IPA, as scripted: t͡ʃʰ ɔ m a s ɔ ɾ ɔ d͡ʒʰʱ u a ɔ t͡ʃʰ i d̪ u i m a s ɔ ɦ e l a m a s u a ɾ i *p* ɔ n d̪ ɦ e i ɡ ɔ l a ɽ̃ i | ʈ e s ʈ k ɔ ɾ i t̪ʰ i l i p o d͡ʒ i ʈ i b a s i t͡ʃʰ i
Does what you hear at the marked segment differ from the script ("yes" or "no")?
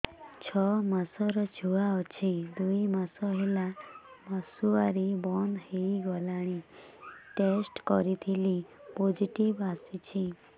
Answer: yes